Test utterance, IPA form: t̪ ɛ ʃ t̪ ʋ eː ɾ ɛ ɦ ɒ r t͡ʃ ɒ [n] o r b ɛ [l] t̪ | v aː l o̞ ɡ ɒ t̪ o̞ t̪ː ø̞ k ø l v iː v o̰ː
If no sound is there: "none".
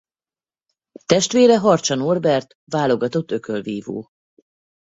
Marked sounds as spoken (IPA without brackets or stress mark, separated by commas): n, r